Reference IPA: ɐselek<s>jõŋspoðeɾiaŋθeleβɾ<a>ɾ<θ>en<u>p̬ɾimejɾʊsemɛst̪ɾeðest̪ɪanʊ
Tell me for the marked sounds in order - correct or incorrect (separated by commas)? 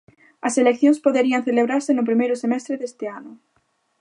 incorrect, correct, incorrect, incorrect